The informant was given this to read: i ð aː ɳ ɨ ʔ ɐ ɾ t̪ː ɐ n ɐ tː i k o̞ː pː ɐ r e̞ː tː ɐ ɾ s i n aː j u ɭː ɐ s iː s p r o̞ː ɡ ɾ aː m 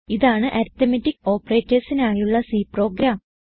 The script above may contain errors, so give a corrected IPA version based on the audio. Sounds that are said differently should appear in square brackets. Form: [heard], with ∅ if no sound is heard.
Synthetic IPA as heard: i ð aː ɳ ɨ ʔ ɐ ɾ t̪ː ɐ [m] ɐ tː i k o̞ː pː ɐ r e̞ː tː ɐ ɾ s i n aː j u ɭː ɐ s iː [∅] p r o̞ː ɡ ɾ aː m